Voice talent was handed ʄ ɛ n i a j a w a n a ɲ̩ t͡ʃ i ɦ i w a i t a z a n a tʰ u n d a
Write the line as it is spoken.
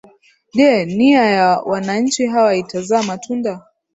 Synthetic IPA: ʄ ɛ n i a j a w a n a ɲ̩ t͡ʃ i ɦ a w a i t a z a m a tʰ u n d a